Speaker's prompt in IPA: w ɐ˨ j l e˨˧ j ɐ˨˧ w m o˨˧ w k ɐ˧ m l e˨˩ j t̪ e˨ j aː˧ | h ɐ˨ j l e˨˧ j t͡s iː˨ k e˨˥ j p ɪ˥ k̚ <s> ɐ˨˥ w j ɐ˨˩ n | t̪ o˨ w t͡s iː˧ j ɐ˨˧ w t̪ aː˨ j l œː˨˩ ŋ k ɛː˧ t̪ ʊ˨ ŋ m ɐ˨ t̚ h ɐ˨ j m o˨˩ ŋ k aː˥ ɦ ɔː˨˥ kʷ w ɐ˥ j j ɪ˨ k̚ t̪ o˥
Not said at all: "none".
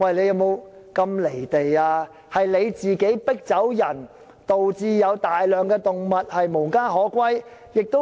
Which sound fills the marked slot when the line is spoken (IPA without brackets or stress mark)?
t͡s